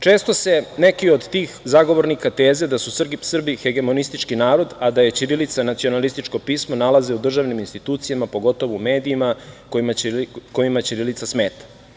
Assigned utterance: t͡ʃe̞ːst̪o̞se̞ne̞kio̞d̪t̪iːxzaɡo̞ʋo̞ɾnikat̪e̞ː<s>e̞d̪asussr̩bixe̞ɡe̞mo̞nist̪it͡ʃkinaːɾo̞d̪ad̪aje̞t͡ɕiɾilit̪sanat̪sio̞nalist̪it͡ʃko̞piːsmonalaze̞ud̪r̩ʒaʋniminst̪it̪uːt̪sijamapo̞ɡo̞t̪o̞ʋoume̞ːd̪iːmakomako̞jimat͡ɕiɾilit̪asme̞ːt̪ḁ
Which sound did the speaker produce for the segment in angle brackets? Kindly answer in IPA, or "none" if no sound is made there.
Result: z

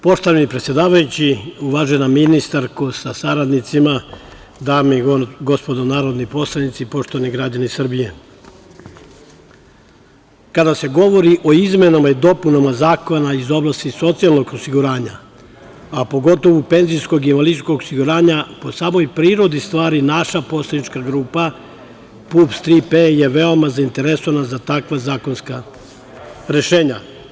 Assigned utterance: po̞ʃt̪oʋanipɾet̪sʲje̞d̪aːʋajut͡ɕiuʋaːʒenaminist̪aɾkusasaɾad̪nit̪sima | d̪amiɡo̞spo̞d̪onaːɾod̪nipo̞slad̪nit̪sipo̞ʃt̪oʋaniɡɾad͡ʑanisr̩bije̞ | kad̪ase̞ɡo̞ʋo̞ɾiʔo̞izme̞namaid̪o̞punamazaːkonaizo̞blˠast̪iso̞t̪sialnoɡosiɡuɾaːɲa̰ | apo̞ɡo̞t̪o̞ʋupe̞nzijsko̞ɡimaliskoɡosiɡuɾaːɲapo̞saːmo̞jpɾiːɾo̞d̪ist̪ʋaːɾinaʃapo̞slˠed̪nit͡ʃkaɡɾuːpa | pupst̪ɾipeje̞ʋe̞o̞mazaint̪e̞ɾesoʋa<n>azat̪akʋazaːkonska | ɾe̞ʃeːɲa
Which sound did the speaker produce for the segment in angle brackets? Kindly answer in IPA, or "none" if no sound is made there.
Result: n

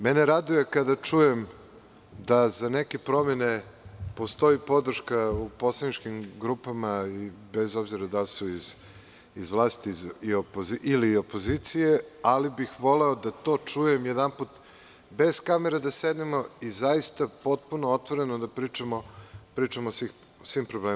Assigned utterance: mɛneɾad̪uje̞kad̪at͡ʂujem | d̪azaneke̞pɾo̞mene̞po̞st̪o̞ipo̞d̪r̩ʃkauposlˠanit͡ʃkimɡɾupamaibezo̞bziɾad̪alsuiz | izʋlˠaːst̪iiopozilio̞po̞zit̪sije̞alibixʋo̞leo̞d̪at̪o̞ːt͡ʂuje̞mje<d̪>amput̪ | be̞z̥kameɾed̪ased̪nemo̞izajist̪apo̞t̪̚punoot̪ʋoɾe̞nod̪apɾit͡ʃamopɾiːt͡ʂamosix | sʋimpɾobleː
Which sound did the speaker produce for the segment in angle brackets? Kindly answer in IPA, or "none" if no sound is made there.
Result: d̪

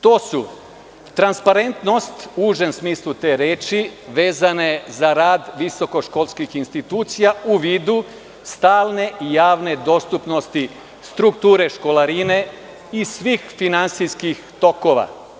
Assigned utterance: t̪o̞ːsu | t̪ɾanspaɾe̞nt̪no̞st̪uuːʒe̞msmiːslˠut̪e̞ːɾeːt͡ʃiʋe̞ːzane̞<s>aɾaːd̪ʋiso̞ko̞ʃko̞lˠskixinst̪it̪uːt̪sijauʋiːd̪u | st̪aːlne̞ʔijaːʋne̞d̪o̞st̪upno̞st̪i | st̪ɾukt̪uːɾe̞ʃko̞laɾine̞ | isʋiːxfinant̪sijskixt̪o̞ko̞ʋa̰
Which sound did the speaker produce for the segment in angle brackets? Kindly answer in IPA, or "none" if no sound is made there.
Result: z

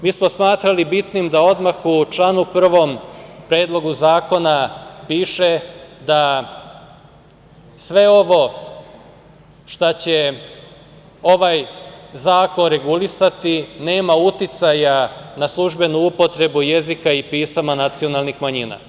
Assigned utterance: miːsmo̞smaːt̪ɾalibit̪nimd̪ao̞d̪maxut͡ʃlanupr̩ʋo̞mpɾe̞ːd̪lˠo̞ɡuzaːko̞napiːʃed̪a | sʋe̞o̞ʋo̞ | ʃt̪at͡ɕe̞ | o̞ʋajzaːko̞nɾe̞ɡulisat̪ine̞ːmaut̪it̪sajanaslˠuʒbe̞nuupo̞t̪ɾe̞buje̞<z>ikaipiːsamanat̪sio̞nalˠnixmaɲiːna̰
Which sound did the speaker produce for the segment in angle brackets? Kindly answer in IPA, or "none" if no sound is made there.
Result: z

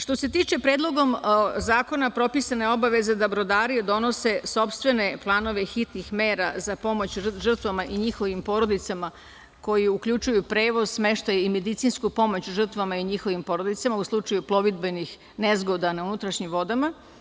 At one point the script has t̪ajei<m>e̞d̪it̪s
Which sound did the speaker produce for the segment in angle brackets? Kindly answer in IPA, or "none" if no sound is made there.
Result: m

